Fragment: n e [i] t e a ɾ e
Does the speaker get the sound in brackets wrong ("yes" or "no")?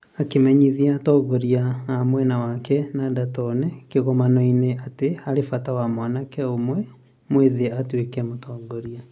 yes